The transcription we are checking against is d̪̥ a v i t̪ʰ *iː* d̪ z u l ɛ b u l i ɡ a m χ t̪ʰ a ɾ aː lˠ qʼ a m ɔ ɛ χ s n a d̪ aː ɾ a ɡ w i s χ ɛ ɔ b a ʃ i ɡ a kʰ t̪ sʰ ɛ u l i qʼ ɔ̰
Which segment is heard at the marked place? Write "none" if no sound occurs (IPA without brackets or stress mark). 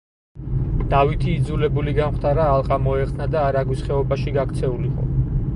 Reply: iː